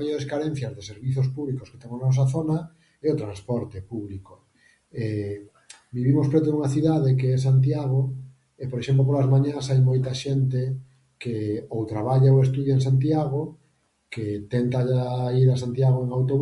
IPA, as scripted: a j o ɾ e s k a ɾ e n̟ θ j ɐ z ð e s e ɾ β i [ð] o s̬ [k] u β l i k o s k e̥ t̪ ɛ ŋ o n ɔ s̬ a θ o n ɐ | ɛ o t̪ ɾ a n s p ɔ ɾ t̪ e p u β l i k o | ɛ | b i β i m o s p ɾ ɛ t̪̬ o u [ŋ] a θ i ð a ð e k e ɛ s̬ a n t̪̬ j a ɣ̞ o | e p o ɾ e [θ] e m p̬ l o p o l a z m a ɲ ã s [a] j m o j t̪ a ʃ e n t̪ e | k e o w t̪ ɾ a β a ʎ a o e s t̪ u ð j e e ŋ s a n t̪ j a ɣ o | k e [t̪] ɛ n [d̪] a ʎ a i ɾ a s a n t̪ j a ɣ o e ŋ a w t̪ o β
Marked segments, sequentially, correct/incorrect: incorrect: θ, incorrect: p, correct, incorrect: ʃ, correct, correct, incorrect: t̪

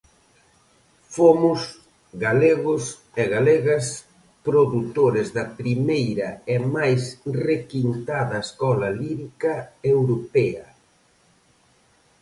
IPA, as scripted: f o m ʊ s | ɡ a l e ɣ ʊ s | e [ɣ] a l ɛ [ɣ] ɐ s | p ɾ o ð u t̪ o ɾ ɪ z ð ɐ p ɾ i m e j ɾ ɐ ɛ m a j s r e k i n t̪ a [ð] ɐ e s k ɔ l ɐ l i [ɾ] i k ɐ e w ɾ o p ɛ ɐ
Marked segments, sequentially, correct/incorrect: correct, correct, correct, correct

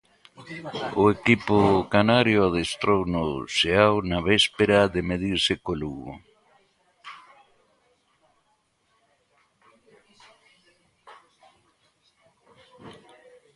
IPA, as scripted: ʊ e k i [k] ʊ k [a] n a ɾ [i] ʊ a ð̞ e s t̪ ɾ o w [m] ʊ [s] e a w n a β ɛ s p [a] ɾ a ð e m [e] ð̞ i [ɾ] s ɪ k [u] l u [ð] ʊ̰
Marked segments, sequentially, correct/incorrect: incorrect: p, correct, incorrect: j, incorrect: n, correct, incorrect: e, correct, correct, incorrect: o, incorrect: ɣ

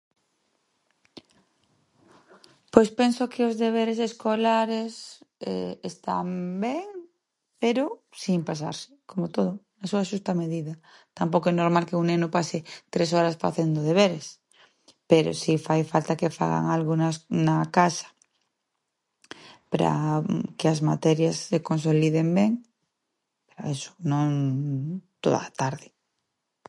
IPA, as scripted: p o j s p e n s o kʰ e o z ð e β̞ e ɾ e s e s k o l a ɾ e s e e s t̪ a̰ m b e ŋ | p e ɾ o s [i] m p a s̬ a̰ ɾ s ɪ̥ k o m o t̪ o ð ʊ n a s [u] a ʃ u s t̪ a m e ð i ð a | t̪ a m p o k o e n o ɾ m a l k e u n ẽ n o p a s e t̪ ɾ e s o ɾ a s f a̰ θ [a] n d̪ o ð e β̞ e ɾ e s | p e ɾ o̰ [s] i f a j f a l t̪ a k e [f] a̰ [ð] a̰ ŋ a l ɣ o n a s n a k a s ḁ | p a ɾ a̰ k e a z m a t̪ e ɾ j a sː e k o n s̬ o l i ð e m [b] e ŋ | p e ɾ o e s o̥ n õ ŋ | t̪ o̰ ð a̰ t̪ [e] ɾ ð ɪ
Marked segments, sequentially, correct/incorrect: correct, correct, incorrect: e, correct, correct, incorrect: ɣ, correct, incorrect: a

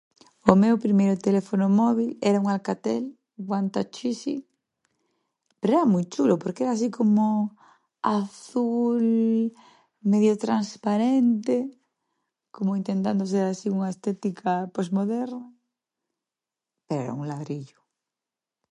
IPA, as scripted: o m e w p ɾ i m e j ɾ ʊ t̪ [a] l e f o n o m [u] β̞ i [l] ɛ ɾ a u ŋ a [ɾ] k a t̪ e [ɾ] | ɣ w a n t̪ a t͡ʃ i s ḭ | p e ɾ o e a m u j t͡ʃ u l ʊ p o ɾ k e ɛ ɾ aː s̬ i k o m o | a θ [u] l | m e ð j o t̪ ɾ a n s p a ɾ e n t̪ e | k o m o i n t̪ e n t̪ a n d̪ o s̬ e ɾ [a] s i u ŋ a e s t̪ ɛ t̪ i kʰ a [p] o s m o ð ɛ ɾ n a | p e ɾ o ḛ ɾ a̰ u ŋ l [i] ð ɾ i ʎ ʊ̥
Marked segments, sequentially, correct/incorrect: incorrect: e, incorrect: ɔ, correct, incorrect: l, incorrect: l, correct, correct, correct, incorrect: a

